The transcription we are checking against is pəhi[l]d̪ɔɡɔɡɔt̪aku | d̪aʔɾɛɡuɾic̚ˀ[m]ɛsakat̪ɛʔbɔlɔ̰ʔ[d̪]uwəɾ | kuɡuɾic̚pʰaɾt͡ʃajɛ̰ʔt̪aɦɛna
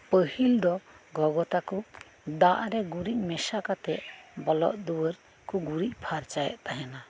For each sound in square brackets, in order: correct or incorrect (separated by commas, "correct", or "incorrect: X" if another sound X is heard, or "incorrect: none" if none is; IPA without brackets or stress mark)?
correct, correct, correct